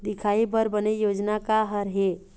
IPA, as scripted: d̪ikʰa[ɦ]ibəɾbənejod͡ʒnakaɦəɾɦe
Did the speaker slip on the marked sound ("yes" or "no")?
yes